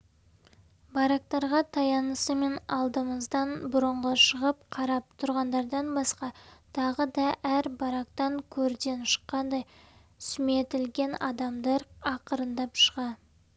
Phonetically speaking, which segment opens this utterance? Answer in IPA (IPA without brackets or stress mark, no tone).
b